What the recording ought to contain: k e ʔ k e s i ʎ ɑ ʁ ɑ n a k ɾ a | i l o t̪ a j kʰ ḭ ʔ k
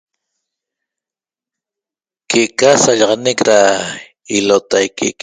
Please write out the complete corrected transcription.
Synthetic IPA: k e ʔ k a s a ʎ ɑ ʁ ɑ n e k ɾ a | i l o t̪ a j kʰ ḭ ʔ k